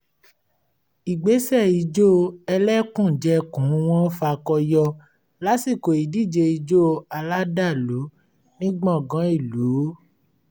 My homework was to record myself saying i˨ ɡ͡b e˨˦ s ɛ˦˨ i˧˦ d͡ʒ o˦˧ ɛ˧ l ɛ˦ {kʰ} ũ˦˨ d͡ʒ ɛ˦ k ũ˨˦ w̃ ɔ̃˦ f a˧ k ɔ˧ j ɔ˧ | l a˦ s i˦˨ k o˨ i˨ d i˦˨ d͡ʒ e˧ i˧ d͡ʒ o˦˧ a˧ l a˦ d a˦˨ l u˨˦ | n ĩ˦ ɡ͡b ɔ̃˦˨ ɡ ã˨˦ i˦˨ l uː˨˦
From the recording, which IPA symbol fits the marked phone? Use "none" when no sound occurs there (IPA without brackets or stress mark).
k